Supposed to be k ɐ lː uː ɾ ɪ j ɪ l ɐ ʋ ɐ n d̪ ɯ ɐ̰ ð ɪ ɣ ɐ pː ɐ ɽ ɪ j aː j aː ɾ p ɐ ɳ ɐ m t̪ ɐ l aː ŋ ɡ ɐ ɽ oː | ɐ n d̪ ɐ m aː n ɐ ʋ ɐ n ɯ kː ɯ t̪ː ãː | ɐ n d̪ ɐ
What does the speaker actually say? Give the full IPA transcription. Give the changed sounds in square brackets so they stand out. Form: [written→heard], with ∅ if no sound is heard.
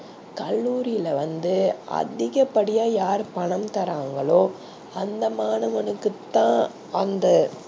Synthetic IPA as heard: k ɐ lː uː ɾ ɪ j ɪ l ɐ ʋ ɐ n d̪ ɯ ɐ̰ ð ɪ ɣ ɐ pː ɐ ɽ ɪ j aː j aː ɾ p ɐ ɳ ɐ m t̪ ɐ [l→ɾ] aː ŋ ɡ ɐ [ɽ→ɭ] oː | ɐ n d̪ ɐ m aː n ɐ ʋ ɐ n ɯ kː ɯ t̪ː ãː | ɐ n d̪ ɐ

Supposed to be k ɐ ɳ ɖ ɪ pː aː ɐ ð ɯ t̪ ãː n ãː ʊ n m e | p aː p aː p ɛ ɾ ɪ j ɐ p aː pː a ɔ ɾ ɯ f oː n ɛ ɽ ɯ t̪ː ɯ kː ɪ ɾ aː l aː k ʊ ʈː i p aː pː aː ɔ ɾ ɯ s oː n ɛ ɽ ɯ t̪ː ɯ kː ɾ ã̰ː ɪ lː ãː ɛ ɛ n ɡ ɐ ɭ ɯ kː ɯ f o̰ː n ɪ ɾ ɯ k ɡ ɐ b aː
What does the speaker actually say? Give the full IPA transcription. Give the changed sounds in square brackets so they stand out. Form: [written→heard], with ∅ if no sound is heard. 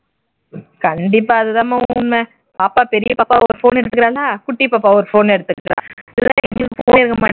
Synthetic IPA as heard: k ɐ ɳ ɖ ɪ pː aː ɐ ð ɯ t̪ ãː [n→m] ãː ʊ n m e | p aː p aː p ɛ ɾ ɪ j ɐ p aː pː a ɔ ɾ ɯ f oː n ɛ ɽ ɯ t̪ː ɯ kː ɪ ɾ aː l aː k ʊ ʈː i p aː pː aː ɔ ɾ ɯ [s→f] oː n ɛ ɽ ɯ t̪ː ɯ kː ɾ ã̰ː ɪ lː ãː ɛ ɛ [n→ŋ] ɡ ɐ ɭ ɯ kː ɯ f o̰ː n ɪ ɾ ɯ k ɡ ɐ [b→m] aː

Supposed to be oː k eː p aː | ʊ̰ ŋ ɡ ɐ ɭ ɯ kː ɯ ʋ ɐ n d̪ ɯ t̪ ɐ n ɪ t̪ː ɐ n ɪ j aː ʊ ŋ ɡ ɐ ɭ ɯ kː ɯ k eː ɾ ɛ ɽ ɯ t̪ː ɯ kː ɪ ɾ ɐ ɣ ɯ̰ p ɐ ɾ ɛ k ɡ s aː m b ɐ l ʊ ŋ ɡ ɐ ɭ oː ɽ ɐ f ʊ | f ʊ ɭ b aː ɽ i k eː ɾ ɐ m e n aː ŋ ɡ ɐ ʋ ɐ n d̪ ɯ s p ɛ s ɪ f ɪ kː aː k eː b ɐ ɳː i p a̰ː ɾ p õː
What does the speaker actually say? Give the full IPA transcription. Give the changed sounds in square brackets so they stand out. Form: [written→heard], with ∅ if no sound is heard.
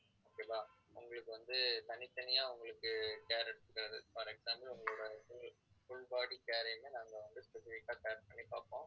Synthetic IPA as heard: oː k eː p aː | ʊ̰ ŋ ɡ ɐ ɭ ɯ kː ɯ ʋ ɐ n d̪ ɯ t̪ ɐ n ɪ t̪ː ɐ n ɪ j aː ʊ ŋ ɡ ɐ ɭ ɯ kː ɯ k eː ɾ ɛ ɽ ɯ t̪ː ɯ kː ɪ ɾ ɐ [ɣ→ð] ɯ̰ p ɐ ɾ ɛ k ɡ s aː m b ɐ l ʊ ŋ ɡ ɐ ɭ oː ɽ ɐ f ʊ | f ʊ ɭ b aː ɽ i k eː ɾ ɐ m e n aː ŋ ɡ ɐ ʋ ɐ n d̪ ɯ s p ɛ s ɪ f ɪ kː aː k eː [b→p] ɐ ɳː i p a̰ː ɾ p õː

